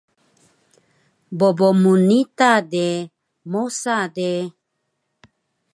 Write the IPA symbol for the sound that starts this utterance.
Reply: b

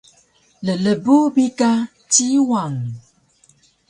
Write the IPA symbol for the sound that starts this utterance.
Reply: l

